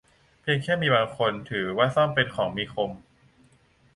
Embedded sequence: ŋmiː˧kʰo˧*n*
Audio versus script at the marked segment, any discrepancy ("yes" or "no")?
yes